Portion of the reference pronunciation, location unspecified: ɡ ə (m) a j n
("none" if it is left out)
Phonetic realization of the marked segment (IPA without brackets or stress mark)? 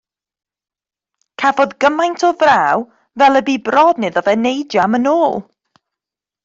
m